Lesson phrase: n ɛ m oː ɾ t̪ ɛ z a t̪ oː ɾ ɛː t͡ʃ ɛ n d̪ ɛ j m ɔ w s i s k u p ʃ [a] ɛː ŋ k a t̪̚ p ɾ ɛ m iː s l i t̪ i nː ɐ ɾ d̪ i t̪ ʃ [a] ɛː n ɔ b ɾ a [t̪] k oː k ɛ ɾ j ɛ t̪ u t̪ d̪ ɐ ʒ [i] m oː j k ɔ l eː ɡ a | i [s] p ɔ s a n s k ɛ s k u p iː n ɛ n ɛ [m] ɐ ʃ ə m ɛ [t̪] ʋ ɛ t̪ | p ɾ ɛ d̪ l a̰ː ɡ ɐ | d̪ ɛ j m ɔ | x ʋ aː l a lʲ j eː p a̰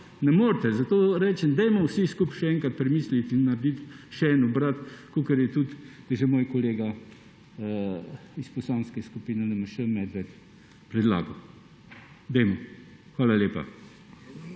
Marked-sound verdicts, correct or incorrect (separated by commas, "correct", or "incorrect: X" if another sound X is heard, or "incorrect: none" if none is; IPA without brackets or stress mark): incorrect: ɛ, incorrect: ɛ, correct, incorrect: ɛ, correct, correct, incorrect: d̪